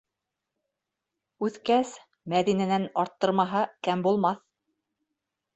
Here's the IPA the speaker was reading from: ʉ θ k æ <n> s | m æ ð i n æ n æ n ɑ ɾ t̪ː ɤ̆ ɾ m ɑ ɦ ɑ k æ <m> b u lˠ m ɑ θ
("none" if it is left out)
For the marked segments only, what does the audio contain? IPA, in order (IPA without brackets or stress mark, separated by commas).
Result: none, m